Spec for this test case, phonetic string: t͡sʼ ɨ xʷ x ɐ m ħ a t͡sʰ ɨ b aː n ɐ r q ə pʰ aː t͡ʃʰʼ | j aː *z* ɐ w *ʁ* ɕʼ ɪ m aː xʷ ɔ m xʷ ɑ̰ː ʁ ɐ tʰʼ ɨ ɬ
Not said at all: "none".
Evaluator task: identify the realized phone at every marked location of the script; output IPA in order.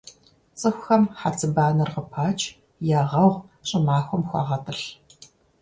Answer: ʁ, ʁ

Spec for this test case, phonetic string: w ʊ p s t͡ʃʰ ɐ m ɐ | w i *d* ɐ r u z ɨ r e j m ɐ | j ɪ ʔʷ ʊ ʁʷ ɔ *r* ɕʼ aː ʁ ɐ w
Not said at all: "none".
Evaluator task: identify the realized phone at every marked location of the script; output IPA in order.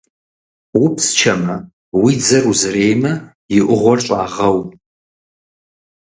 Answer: d͡z, r

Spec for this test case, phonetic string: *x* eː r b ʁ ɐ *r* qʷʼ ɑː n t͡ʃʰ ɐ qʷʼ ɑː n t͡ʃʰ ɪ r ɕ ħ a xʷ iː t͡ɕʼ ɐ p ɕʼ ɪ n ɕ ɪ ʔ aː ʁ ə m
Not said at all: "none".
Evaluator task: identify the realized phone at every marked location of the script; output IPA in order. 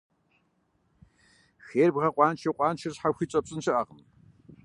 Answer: x, none

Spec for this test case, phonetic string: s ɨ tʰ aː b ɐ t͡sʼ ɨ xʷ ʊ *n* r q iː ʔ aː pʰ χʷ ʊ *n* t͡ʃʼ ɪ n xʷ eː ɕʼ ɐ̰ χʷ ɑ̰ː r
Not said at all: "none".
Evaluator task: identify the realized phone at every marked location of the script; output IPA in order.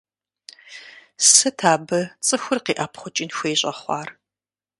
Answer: none, none

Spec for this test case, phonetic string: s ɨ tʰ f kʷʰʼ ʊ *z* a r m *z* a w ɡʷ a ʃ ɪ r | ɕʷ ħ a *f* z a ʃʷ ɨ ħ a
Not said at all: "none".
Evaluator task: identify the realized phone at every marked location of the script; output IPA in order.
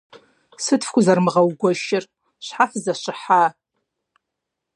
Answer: z, ʁ, f

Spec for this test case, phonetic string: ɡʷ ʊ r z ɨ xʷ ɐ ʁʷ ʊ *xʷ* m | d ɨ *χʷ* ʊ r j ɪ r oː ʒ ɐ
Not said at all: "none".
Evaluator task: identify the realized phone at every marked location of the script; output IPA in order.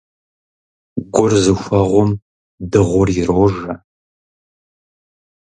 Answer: none, ʁʷ

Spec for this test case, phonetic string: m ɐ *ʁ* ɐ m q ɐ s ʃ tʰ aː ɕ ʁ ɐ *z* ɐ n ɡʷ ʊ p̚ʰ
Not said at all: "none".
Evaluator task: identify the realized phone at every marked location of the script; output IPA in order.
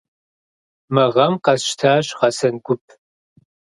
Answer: ʁ, s

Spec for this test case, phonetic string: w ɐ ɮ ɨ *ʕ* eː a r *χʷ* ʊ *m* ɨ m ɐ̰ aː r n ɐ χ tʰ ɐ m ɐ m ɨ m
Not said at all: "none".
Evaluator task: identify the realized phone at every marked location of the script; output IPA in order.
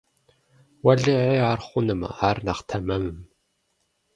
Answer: ʕ, χʷ, n

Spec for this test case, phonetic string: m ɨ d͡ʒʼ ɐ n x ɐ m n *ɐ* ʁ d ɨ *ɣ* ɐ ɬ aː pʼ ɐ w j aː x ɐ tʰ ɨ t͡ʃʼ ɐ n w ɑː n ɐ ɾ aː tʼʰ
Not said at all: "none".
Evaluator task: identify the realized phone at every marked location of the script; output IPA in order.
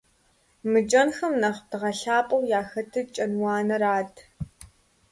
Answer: ɐ, ʁ

